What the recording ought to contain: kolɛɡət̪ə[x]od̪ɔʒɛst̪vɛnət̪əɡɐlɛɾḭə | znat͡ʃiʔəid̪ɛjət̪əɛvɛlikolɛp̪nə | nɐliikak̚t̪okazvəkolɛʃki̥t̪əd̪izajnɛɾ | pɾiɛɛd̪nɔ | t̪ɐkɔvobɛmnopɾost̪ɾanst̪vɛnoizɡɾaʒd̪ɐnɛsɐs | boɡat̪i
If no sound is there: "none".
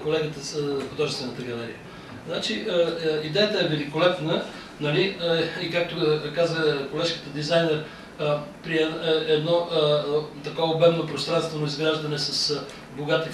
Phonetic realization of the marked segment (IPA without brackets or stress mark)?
x